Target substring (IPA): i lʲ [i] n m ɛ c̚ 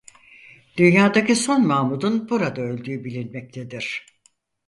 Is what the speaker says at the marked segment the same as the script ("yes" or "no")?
yes